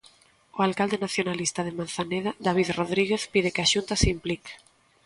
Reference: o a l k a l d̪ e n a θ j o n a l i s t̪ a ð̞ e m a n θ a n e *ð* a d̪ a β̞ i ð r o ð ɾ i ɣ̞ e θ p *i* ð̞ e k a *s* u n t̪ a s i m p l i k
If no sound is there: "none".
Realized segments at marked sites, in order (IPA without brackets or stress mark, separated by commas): ð, i, ʃ